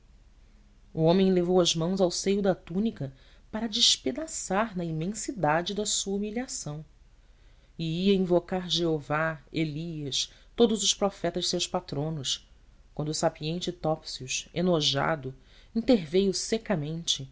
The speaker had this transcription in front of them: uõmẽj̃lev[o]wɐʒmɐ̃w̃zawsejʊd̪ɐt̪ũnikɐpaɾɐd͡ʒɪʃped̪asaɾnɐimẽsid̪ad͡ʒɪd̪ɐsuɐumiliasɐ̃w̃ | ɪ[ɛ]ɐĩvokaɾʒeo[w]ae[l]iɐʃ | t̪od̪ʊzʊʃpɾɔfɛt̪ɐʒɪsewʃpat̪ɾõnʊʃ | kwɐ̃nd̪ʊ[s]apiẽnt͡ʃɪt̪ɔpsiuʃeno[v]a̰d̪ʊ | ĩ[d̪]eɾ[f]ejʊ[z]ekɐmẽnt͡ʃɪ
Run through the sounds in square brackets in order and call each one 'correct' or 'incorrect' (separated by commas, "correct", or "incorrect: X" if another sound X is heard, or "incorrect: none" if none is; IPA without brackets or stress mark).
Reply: correct, incorrect: i, incorrect: v, correct, correct, incorrect: ʒ, incorrect: t̪, incorrect: v, incorrect: s